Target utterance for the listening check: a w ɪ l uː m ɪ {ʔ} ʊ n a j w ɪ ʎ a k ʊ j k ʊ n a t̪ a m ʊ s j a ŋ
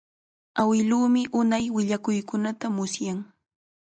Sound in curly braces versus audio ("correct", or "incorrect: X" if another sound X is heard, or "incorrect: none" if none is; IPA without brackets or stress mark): correct